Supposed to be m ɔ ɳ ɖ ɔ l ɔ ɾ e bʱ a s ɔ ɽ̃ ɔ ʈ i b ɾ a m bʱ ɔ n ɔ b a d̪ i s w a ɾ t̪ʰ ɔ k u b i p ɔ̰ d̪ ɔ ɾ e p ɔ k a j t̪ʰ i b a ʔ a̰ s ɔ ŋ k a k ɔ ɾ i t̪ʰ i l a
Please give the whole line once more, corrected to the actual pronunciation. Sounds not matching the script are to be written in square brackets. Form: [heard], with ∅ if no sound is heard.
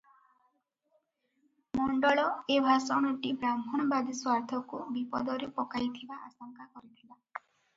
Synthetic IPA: m ɔ ɳ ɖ ɔ [ɭ] ɔ [∅] e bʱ a s ɔ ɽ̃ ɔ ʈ i b ɾ a m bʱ ɔ n ɔ b a d̪ i s w a ɾ t̪ʰ ɔ k u b i p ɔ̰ d̪ ɔ ɾ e p ɔ k a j t̪ʰ i b a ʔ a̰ s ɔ ŋ k a k ɔ ɾ i t̪ʰ i l a